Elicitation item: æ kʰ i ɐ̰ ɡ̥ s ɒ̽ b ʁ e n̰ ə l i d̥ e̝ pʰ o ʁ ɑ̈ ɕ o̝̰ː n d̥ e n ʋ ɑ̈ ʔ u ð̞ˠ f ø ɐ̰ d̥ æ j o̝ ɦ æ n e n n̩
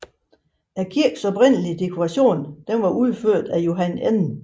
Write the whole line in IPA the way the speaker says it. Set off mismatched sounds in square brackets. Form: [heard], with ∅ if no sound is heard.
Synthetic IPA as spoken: æ kʰ i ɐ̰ ɡ̥ s ɒ̽ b ʁ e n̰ ə l i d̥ e̝ [kʰ] o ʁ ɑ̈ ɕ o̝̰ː n d̥ e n ʋ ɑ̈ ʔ u ð̞ˠ f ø ɐ̰ d̥ æ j o̝ ɦ æ n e n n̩